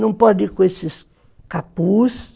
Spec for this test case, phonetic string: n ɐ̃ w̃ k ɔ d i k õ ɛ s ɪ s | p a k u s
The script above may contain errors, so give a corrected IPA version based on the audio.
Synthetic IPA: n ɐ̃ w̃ p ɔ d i k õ e s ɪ s | k a p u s